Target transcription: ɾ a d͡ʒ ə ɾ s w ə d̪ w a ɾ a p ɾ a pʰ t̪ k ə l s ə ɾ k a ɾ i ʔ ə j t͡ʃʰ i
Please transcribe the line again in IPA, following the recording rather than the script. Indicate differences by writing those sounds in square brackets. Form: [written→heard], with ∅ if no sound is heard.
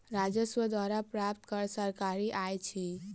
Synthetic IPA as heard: ɾ a d͡ʒ ə [ɾ→∅] s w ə d̪ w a ɾ a p ɾ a [pʰ→p] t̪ k ə [l→ɾ] s ə ɾ k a ɾ i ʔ [ə→a] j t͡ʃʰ i